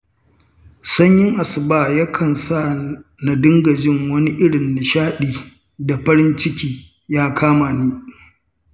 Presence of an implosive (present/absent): present